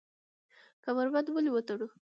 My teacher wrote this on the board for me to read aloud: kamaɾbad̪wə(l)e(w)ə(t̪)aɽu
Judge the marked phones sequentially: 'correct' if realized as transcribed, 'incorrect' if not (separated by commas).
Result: correct, correct, correct